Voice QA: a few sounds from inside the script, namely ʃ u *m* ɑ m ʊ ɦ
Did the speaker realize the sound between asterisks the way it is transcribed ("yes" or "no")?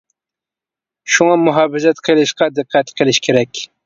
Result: no